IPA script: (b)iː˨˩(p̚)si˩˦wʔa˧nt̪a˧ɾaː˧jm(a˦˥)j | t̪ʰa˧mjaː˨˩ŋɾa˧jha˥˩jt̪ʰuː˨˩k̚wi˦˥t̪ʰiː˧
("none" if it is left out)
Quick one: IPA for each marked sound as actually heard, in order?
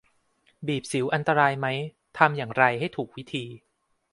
b, p̚, a˦˥

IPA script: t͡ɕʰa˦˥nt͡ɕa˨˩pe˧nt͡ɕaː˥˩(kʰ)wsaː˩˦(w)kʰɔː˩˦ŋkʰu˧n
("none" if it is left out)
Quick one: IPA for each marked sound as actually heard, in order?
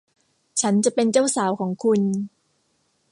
none, w

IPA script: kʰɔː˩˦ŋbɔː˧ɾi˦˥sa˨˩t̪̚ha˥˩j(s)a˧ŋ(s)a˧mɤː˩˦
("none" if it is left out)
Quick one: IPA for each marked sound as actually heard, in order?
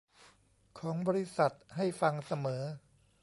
f, s

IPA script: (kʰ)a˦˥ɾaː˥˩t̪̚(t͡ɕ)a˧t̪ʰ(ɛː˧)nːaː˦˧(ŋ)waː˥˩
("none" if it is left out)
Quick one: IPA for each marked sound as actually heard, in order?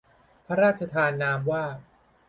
pʰ, t͡ɕʰ, aː˧, m

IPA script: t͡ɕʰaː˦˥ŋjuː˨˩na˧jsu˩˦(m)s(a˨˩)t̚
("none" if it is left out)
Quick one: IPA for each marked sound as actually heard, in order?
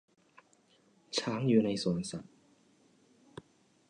n, a˨˩

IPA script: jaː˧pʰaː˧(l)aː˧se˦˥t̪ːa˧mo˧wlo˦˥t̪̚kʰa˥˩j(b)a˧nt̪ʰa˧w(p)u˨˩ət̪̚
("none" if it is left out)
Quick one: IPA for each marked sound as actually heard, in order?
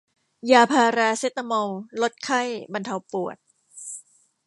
ɾ, b, p

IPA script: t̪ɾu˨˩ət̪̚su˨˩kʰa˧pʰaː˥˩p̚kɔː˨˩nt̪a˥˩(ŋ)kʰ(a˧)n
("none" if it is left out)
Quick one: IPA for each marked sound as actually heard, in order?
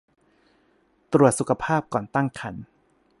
ŋ, a˩˦

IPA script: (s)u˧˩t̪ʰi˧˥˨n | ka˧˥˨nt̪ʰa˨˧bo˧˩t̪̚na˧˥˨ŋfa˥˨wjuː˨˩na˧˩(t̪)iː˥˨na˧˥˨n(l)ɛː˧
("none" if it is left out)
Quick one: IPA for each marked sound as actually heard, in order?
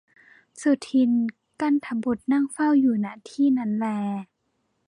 s, t̪ʰ, l

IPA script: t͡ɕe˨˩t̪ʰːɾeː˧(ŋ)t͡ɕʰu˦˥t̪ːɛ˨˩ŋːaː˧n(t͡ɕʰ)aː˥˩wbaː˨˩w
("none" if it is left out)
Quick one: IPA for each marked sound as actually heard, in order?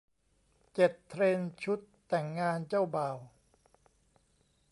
n, t͡ɕ

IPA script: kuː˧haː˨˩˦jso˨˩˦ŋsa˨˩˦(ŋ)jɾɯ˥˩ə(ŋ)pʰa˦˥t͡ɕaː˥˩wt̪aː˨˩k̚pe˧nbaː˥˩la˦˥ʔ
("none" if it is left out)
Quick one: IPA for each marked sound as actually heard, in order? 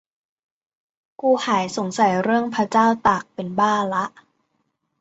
none, ŋ

